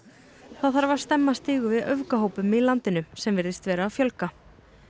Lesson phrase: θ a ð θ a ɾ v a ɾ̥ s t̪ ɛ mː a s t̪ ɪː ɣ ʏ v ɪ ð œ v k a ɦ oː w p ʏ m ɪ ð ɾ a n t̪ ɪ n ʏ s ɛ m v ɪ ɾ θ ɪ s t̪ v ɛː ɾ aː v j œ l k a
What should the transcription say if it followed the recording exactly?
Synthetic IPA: θ a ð θ a ɾ v a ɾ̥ s t̪ ɛ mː a s t̪ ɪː ɣ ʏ v ɪ ð œ v k a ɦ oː w p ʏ m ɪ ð l a n t̪ ɪ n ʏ s ɛ m v ɪ ɾ ð ɪ s t̪ v ɛː ɾ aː f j œ l k a